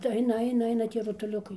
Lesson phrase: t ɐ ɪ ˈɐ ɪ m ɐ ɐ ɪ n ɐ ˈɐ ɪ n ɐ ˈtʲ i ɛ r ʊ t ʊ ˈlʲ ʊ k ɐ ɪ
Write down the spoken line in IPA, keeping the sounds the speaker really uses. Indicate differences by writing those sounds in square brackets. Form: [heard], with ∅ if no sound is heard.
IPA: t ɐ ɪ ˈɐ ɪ [n] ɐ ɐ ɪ n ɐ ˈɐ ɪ n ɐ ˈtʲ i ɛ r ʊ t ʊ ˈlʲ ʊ k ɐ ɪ

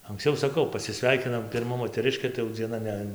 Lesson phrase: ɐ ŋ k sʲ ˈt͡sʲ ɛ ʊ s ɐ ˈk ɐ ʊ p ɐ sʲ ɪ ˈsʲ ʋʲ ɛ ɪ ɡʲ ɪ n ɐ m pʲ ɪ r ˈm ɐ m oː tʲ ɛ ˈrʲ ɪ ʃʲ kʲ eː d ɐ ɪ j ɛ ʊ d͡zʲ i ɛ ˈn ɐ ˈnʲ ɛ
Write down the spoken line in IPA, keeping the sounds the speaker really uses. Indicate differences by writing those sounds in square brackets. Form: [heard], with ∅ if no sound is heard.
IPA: ɐ ŋ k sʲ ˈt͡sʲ ɛ ʊ s ɐ ˈk ɐ ʊ p ɐ sʲ ɪ ˈsʲ ʋʲ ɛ ɪ [kʲ] ɪ n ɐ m pʲ ɪ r ˈm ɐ m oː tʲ ɛ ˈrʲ ɪ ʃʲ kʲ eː [t] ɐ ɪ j ɛ ʊ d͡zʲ i ɛ ˈn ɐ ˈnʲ ɛ

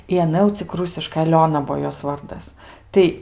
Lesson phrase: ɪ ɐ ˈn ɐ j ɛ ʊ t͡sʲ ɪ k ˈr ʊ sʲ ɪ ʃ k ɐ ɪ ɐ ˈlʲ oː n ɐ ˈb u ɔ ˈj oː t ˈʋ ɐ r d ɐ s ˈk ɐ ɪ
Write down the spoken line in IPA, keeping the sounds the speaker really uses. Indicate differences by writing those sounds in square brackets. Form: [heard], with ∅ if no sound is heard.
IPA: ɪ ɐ ˈn ɐ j ɛ ʊ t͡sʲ ɪ k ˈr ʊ sʲ ɪ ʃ k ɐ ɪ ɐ ˈlʲ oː n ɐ ˈb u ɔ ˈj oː [s] ˈʋ ɐ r d ɐ s [ˈt] ɐ ɪ

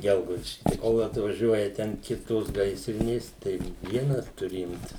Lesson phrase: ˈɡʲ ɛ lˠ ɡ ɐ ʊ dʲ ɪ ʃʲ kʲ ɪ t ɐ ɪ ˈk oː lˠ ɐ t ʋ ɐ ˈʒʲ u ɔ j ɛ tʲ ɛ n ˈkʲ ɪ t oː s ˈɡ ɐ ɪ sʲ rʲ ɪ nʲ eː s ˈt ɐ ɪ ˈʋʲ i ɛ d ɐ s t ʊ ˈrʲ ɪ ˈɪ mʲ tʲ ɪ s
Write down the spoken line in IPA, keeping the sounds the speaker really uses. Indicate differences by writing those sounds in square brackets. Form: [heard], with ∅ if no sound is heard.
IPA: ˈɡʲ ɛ lˠ ɡ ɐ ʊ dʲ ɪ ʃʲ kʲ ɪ t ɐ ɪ ˈk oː lˠ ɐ t ʋ ɐ ˈʒʲ u ɔ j ɛ tʲ ɛ n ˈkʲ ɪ t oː s ˈɡ ɐ ɪ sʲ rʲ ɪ nʲ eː s ˈt ɐ ɪ ˈʋʲ i ɛ [n] ɐ s t ʊ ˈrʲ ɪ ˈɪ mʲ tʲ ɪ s

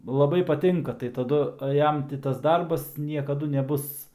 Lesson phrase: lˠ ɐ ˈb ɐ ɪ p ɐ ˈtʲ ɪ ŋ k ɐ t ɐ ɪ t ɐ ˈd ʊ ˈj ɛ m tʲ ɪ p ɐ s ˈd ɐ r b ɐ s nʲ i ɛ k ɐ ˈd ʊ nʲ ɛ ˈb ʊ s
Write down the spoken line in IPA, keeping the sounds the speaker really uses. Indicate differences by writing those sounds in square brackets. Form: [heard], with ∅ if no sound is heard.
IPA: lˠ ɐ ˈb ɐ ɪ p ɐ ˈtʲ ɪ ŋ k ɐ t ɐ ɪ t ɐ ˈd ʊ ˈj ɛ m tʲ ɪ [t] ɐ s ˈd ɐ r b ɐ s nʲ i ɛ k ɐ ˈd ʊ nʲ ɛ ˈb ʊ s

